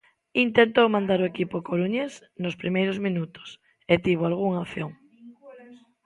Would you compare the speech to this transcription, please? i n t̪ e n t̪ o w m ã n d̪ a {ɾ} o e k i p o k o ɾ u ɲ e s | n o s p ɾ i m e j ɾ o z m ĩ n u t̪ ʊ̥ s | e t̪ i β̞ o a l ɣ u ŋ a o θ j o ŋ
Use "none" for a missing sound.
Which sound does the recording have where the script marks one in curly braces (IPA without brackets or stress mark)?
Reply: ɾ